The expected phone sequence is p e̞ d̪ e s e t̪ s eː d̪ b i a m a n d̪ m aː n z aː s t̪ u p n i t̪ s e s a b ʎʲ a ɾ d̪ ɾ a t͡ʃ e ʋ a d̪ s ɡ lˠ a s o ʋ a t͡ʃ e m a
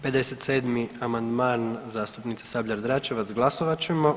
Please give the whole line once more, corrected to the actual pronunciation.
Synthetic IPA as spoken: p e̞ d̪ e s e t̪ s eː d̪ m i a m a n d̪ m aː n z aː s t̪ u p n i t̪ s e s a b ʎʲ a ɾ d̪ ɾ a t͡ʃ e ʋ a t̪ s ɡ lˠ a s o ʋ a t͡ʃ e m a